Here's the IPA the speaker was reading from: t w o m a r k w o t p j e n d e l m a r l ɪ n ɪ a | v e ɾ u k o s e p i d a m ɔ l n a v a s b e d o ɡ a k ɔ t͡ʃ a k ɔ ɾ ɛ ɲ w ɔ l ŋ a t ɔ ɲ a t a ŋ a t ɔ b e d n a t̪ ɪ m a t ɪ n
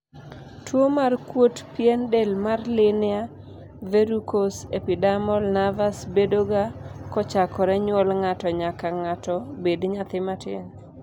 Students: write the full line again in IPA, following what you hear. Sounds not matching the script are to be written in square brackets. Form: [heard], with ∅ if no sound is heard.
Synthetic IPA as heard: t w o m a r k w o t p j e n d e l m a r l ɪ n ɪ a | v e ɾ u k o s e p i d a m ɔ l n a v a s b e d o ɡ a k ɔ t͡ʃ a k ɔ ɾ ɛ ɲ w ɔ l ŋ a t ɔ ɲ a [k] a ŋ a t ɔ b e d [ɲ] a t̪ ɪ m a t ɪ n